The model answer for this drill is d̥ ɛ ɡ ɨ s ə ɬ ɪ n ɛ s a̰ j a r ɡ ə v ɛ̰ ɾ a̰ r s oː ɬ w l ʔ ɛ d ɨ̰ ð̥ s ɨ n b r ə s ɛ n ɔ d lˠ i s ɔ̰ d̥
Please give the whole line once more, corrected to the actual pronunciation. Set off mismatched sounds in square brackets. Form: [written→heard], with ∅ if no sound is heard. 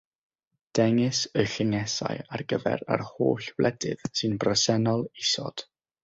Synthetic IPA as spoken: d̥ ɛ [ɡ→ŋ] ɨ s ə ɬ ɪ [n→ŋ] ɛ s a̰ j a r ɡ ə v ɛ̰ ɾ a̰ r [s→h] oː ɬ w l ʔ ɛ d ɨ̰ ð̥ s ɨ n b r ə s ɛ n ɔ [d→∅] lˠ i s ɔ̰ d̥